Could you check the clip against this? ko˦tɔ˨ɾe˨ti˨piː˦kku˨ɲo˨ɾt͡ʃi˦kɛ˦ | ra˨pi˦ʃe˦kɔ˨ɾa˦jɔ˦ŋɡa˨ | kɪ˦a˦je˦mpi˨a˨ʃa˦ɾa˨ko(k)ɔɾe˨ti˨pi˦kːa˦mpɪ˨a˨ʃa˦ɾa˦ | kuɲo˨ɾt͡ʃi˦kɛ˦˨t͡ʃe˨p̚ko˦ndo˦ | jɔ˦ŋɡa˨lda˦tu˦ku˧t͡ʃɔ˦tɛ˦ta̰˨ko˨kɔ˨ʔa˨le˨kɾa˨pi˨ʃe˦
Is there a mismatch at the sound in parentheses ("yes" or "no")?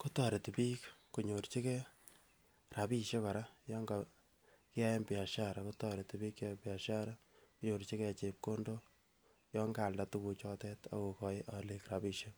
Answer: yes